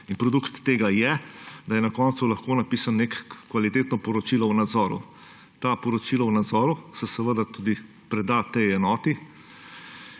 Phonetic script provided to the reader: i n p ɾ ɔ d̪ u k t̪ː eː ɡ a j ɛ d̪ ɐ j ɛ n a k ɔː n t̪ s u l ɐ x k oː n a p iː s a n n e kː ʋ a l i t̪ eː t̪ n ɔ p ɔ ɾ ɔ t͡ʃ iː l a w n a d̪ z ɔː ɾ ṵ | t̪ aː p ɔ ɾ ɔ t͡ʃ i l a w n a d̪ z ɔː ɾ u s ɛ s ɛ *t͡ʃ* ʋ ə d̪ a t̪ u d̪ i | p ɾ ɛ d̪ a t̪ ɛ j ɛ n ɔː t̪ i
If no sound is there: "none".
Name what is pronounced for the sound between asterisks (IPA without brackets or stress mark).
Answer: none